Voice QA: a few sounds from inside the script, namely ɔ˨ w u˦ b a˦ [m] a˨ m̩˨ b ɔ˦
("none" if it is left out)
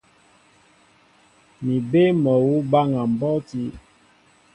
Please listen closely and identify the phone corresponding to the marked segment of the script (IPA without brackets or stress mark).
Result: ŋ